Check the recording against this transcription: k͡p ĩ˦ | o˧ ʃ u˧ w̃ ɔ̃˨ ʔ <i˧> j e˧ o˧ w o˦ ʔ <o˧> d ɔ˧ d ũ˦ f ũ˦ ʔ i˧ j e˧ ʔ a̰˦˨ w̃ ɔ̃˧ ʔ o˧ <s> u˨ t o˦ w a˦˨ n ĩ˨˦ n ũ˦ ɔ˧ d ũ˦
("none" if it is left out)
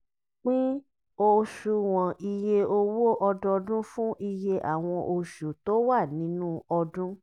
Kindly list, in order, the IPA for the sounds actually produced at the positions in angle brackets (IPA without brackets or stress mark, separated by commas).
i˧, ɔ˧, ʃ